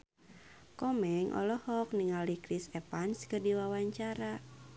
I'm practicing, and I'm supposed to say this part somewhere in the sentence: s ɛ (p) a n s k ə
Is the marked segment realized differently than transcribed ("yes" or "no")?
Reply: no